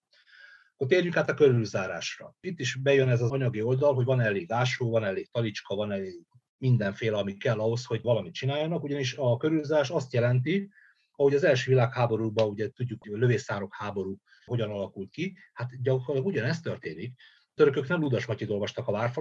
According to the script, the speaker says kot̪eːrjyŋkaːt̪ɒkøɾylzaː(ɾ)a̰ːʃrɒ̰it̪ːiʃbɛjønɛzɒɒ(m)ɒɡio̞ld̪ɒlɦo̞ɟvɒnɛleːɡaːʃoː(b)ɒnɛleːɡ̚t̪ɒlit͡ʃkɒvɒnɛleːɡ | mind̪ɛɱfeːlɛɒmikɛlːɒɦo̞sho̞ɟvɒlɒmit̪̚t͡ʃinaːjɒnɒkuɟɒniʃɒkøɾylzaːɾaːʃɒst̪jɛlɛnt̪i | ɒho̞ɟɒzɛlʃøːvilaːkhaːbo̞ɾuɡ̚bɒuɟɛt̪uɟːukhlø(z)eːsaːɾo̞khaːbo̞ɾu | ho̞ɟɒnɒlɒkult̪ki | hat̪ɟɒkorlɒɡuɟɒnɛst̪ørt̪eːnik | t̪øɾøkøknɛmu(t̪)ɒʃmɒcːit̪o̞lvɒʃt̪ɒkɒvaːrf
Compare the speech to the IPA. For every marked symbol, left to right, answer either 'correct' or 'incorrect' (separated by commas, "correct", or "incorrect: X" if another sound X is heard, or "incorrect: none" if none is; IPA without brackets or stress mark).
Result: correct, incorrect: ɲ, incorrect: v, incorrect: v, incorrect: d̪